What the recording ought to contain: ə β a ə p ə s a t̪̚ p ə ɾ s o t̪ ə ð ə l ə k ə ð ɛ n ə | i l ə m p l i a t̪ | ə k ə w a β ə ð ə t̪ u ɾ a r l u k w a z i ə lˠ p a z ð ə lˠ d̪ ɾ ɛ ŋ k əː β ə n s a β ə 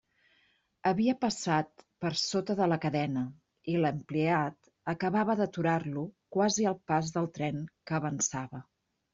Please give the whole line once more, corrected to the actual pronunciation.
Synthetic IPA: ə β i ə p ə s a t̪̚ p ə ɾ s o t̪ ə ð ə l ə k ə ð ɛ n ə | i l ə m p l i a t̪ | ə k ə β a β ə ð ə t̪ u ɾ a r l u k w a z i ə lˠ p a z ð ə lˠ t̪ ɾ ɛ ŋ k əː β ə n s a β ə